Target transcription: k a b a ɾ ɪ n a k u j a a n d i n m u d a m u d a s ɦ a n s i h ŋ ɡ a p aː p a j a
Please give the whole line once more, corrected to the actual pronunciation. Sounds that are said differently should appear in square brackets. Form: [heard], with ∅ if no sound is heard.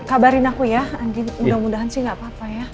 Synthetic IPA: k a b a ɾ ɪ n a k u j a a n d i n m u d a m u d a [∅] ɦ a n s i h ŋ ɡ a p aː p a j a